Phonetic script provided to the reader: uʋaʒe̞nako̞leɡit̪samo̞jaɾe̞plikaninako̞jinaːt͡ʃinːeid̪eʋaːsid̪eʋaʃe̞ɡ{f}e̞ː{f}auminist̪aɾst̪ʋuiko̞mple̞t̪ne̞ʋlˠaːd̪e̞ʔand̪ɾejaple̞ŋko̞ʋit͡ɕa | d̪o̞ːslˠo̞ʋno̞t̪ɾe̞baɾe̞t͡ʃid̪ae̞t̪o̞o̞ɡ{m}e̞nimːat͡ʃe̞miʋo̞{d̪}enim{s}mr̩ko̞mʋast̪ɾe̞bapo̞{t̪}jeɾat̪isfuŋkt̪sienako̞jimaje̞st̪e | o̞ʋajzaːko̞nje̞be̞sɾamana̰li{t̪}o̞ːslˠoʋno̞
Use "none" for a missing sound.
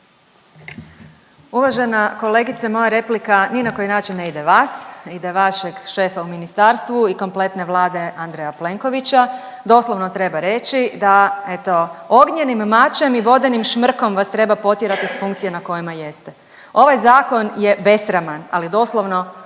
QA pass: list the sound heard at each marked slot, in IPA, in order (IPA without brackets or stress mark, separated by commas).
ʃ, f, ɲ, d̪, ʃ, t̪, d̪